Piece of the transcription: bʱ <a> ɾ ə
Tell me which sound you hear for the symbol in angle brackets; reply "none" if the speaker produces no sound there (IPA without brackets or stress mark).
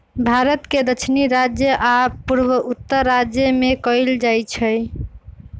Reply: a